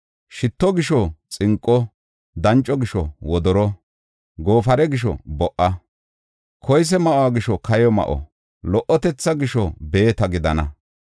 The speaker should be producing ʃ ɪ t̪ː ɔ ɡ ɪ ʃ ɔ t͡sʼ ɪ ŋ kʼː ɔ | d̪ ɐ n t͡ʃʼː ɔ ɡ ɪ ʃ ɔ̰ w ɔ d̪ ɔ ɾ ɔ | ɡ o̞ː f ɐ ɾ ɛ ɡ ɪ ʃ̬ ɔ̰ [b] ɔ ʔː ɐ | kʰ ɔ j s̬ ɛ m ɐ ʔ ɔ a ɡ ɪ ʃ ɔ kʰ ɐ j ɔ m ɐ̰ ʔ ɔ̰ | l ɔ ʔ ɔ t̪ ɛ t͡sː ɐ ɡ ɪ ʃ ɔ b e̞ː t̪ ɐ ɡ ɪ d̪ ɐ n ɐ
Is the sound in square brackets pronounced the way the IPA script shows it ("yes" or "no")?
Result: yes